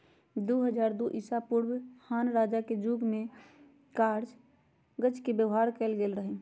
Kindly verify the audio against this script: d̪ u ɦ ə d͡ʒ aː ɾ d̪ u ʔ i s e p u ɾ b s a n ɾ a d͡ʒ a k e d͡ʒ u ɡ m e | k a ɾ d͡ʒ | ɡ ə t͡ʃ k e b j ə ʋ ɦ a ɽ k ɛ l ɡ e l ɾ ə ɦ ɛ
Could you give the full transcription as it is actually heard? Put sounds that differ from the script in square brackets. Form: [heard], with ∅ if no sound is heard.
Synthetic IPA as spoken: d̪ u ɦ ə d͡ʒ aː ɾ d̪ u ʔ i s [a] p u ɾ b [h] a n ɾ a d͡ʒ a k e d͡ʒ u ɡ m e | k a ɾ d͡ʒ | ɡ ə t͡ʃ k e b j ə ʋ ɦ a [ɾ] k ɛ l ɡ e l ɾ ə ɦ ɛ